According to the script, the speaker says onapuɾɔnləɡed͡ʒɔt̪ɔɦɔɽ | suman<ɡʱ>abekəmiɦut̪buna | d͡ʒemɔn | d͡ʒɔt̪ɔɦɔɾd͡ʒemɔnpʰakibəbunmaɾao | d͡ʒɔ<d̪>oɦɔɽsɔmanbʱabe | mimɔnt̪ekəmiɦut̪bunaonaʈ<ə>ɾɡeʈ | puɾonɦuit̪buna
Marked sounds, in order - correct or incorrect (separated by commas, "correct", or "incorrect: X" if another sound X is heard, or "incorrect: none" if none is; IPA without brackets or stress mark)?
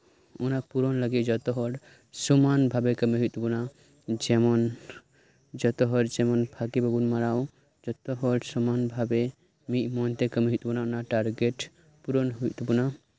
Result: incorrect: bʱ, incorrect: t̪, incorrect: a